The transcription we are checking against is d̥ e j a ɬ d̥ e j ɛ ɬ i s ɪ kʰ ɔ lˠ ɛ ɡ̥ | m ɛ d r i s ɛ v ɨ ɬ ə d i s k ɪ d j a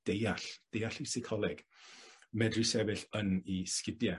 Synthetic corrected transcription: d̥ e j a ɬ d̥ e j a ɬ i s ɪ kʰ ɔ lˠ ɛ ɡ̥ | m ɛ d r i s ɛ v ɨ ɬ ə n i s k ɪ d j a